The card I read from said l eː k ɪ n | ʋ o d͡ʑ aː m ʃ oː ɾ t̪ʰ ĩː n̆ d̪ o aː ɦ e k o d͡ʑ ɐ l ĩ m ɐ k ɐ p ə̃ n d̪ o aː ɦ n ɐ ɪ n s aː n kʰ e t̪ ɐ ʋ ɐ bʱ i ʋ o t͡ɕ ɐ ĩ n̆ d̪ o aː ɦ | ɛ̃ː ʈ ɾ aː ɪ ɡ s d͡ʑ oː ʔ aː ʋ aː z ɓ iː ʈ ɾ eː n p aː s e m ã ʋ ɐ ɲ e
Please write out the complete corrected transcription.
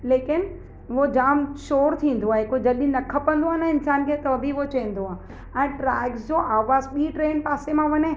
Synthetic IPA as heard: l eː k ɪ n | ʋ o d͡ʑ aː m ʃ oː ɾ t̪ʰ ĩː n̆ d̪ o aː ɦ e k o d͡ʑ ɐ l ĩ n ɐ kʰ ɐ p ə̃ n d̪ o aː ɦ n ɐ ɪ n s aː n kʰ e t̪ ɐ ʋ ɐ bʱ i ʋ o t͡ɕ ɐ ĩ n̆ d̪ o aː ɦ | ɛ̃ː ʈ ɾ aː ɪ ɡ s d͡ʑ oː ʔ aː ʋ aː z ɓ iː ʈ ɾ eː n p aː s e m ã ʋ ɐ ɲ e